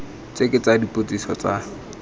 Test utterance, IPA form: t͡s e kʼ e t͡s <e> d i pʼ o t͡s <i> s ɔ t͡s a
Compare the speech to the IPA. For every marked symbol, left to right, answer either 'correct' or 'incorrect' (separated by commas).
incorrect, correct